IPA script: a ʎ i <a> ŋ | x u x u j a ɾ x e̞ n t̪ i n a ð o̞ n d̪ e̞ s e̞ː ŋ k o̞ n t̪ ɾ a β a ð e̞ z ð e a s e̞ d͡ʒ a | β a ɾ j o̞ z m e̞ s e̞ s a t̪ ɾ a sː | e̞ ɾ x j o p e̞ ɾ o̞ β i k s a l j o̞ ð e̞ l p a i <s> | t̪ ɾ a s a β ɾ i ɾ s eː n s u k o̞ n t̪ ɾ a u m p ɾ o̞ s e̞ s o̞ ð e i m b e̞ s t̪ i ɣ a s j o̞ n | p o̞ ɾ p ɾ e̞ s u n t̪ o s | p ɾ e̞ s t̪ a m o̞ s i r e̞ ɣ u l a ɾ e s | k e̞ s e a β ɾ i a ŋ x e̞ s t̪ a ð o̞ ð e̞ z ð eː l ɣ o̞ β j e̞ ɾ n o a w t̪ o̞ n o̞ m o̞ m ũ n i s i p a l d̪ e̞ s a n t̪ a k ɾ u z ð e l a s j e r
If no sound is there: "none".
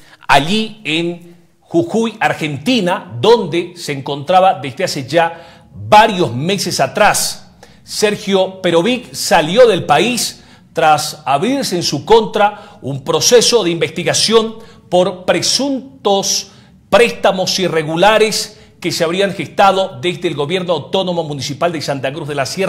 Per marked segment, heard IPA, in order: e, s

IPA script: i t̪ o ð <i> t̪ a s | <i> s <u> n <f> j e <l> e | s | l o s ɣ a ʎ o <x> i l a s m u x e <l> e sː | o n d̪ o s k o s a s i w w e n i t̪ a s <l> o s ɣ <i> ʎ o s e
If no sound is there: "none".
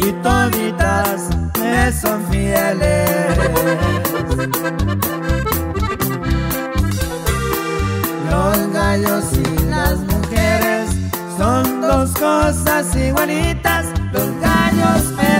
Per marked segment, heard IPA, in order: i, e, o, f, l, s, ɾ, l, a

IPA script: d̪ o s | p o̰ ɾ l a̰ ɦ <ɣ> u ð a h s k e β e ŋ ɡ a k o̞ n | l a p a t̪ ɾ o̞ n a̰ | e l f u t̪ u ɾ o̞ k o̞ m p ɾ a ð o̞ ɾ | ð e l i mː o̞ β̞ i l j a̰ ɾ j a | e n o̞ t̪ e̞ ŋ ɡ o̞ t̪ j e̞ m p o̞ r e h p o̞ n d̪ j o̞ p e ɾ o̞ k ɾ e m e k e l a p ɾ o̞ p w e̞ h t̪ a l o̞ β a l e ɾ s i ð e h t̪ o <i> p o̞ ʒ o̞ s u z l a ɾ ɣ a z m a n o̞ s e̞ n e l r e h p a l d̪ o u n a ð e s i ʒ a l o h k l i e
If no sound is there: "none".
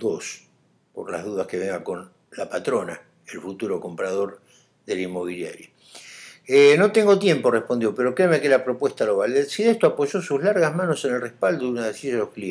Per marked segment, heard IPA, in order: ð, a

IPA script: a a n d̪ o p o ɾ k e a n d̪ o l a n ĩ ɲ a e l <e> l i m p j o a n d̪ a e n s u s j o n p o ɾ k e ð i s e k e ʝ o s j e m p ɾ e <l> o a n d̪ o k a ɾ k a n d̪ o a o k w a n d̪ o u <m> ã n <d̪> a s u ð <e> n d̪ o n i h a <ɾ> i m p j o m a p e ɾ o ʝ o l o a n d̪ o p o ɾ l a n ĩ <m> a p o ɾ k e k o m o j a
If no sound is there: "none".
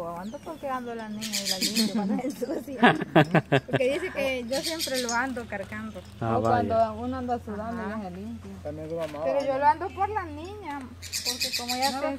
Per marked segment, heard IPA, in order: a, l, n, d̪, a, l, ɲ

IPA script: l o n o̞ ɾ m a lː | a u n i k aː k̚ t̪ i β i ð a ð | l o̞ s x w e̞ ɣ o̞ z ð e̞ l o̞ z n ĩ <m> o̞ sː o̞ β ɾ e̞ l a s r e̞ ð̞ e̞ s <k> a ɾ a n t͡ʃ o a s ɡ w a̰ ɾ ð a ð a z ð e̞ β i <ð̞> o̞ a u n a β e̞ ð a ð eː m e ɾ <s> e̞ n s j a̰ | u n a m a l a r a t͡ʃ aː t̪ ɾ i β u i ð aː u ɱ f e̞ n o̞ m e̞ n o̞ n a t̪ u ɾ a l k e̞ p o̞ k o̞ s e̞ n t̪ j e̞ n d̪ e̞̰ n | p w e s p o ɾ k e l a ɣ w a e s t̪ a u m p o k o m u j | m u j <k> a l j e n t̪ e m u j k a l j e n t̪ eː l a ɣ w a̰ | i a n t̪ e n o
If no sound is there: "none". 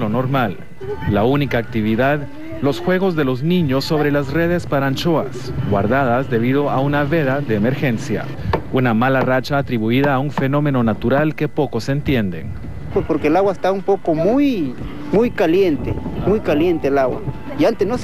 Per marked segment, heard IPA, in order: ɲ, p, ð̞, x, k

